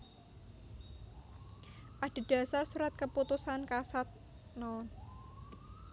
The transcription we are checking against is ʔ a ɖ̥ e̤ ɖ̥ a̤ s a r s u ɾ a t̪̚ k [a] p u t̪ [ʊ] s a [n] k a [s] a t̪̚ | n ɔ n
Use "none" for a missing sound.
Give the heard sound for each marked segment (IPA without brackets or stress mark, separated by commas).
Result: ə, u, n, s